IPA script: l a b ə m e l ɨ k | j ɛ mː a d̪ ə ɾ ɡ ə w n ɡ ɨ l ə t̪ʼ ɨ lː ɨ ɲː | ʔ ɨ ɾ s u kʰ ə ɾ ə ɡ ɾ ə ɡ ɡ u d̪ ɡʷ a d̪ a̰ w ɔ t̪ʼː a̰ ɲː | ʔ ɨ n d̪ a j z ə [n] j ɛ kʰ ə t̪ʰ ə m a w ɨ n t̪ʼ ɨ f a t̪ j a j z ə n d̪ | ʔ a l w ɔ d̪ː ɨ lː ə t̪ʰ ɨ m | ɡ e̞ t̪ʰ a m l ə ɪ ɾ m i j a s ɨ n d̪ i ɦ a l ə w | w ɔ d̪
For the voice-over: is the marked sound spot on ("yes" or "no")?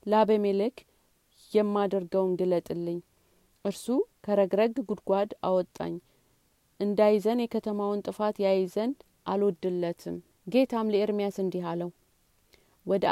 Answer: yes